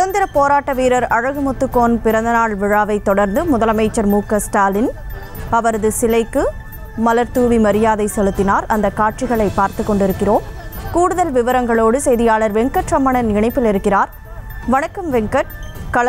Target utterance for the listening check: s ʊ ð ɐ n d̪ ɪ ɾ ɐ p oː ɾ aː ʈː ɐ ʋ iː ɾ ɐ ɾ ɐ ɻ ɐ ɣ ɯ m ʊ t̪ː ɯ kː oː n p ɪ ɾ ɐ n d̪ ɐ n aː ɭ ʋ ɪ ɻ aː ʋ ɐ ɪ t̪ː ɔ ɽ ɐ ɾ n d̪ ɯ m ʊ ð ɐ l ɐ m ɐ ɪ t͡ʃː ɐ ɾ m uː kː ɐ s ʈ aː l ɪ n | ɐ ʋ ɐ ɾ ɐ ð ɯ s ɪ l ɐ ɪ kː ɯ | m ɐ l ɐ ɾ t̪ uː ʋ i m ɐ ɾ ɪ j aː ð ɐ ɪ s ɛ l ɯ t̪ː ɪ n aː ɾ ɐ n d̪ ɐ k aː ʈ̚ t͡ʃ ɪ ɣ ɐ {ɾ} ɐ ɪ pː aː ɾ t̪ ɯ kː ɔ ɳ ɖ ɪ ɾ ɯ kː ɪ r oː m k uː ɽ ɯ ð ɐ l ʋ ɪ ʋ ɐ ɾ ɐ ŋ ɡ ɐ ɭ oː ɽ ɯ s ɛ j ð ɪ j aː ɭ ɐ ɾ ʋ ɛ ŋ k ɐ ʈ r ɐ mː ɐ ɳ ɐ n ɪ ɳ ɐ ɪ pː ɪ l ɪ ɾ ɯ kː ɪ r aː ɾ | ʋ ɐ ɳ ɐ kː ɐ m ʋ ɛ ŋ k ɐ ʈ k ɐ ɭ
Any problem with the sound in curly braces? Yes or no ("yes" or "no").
yes